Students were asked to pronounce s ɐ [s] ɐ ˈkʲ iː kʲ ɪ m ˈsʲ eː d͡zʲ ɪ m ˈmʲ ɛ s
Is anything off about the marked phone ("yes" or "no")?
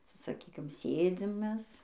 no